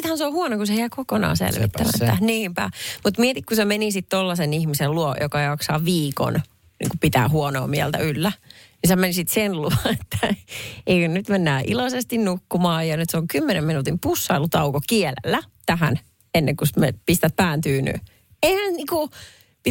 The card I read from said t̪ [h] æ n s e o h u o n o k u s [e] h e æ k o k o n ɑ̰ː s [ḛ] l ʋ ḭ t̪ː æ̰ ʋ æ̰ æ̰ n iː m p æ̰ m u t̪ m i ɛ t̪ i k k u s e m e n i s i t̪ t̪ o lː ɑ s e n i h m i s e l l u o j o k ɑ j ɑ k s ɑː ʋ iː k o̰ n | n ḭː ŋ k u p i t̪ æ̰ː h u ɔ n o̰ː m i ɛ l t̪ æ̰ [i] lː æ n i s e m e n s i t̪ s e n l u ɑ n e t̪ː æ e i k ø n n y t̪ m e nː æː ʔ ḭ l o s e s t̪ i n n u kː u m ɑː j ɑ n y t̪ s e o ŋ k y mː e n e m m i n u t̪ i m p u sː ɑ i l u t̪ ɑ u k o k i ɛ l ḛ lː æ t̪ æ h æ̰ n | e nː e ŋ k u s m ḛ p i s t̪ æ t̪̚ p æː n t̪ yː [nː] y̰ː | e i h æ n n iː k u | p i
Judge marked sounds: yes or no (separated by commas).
yes, yes, yes, no, no